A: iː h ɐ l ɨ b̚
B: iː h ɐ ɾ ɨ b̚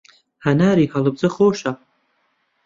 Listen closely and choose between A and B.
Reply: A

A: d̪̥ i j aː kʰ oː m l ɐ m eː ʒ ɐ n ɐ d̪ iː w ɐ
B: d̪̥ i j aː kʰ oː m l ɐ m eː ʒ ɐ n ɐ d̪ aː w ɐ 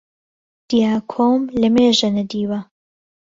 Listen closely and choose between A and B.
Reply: A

